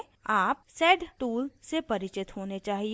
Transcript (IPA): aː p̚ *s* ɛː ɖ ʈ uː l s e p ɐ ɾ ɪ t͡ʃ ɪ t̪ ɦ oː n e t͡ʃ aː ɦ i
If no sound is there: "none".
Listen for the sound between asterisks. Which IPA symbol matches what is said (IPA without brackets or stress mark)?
s